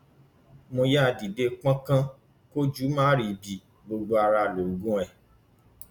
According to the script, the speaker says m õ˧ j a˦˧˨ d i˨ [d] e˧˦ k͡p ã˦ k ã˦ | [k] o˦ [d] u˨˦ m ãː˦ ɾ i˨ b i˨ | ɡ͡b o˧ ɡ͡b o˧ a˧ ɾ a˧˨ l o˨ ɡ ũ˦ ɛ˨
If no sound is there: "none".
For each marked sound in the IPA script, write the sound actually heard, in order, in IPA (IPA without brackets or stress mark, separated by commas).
d, k, d͡ʒ